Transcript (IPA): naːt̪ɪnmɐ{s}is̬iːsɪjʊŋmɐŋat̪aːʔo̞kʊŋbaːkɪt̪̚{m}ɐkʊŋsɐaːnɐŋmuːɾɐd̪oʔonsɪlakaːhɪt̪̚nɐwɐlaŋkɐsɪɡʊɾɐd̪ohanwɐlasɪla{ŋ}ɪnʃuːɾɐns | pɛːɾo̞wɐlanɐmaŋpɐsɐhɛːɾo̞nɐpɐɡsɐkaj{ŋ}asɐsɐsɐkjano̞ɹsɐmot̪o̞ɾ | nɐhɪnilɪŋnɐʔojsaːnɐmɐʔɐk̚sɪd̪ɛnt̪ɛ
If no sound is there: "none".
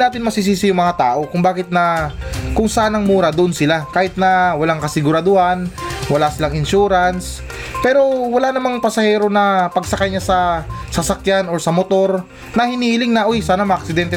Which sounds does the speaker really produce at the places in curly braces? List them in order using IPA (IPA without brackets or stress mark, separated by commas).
s, n, ŋ, ɲ